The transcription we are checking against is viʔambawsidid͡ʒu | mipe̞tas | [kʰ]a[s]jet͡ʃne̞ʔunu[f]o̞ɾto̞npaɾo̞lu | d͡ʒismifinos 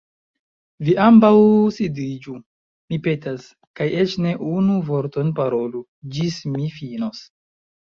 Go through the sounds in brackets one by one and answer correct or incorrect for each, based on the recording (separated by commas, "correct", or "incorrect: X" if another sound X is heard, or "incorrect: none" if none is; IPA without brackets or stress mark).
incorrect: k, incorrect: none, incorrect: v